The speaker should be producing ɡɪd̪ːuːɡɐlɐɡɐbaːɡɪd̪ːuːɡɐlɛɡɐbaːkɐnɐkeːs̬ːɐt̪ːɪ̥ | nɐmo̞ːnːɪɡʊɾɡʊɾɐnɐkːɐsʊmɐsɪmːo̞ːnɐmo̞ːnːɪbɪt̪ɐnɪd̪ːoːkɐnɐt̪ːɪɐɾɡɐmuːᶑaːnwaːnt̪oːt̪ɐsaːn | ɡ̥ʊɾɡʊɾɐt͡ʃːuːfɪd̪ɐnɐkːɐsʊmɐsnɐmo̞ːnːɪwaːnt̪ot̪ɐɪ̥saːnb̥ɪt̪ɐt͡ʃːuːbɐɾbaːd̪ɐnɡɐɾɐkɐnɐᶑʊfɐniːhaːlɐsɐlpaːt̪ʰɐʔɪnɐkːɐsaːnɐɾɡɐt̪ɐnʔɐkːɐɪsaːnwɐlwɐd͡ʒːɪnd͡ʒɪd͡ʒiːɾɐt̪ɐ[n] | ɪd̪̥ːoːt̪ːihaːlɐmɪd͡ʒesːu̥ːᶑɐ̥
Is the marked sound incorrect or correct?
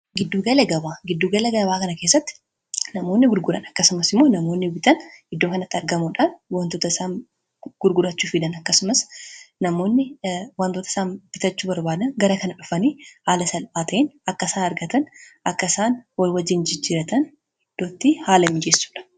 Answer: correct